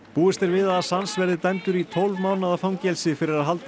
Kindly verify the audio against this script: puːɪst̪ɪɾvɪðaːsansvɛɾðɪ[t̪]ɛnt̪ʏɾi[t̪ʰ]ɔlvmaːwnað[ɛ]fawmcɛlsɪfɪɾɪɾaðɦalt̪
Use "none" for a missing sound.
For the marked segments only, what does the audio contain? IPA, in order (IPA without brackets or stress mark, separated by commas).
t̪, t̪ʰ, a